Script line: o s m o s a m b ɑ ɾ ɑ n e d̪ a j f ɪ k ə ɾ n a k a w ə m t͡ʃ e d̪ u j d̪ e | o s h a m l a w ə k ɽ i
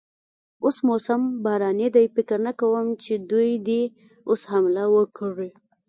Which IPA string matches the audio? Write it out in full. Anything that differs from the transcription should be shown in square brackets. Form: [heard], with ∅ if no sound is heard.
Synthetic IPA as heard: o s m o s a m b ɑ ɾ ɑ n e d̪ a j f ɪ k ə ɾ n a k a w ə m t͡ʃ e d̪ u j d̪ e | o s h a m l a w ə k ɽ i